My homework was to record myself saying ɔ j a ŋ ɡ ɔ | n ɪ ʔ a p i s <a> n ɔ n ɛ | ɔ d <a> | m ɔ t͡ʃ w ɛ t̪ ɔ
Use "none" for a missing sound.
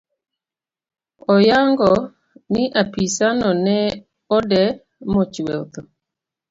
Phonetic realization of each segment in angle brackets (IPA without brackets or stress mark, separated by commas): a, ɛ